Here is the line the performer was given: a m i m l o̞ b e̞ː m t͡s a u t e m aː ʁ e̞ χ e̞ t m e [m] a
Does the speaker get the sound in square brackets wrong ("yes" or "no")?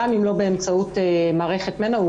yes